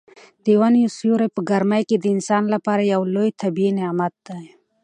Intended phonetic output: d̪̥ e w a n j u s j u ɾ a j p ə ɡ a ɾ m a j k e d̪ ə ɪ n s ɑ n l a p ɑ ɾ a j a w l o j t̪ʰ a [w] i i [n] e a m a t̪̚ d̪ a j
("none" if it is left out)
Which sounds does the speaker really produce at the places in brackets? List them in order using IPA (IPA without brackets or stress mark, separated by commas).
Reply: b, n